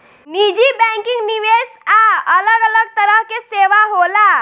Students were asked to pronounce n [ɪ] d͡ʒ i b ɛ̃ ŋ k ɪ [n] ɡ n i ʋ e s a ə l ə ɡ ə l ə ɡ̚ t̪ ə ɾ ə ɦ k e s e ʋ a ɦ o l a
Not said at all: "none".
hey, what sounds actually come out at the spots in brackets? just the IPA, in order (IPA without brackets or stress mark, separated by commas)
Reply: i, ŋ